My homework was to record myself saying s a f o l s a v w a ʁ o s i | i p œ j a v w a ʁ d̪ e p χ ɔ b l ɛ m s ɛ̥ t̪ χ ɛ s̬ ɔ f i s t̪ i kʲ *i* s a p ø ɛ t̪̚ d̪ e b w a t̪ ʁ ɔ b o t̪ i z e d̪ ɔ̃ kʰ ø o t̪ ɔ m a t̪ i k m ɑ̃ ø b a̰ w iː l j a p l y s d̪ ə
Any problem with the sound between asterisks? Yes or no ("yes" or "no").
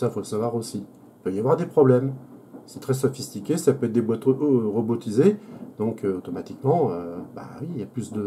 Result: yes